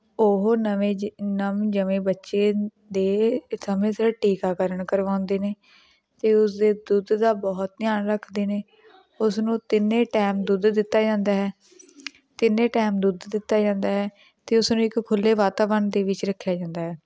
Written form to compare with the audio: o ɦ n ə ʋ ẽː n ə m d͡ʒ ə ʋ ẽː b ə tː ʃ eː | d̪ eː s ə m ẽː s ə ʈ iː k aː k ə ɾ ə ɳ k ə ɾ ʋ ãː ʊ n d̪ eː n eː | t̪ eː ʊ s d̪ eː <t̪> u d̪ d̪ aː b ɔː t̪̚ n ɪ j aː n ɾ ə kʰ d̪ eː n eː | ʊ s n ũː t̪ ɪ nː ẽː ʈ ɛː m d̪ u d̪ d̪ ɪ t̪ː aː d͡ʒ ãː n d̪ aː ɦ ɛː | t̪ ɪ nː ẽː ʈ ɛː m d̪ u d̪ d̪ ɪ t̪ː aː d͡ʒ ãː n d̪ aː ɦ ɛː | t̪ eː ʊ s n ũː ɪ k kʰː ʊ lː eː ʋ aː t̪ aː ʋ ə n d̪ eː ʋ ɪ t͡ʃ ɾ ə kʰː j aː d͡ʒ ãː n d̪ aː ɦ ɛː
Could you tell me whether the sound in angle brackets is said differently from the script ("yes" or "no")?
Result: yes